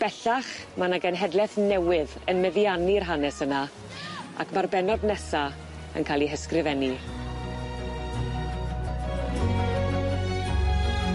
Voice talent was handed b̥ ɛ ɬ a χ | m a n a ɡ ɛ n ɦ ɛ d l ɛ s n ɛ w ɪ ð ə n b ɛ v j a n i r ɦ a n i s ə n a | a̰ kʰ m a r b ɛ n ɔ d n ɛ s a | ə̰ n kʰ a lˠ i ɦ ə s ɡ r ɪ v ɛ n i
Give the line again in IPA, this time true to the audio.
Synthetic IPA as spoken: b̥ ɛ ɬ a χ | m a n a ɡ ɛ n ɦ ɛ d l ɛ θ n ɛ w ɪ ð ə n m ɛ ð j a n i r ɦ a n ɛ s ə n a | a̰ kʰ m a r b ɛ n ɔ d n ɛ s a | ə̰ n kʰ a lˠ i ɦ ə s k r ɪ v ɛ n i